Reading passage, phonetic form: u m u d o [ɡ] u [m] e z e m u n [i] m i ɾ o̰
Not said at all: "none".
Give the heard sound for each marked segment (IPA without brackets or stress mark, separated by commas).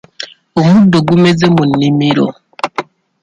ɡ, m, i